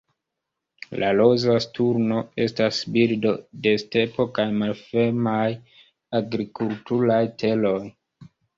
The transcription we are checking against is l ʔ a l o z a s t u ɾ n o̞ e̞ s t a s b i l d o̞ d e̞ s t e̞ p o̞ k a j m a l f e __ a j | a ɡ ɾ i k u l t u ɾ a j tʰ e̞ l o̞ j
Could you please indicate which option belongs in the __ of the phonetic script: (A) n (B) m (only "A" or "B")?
B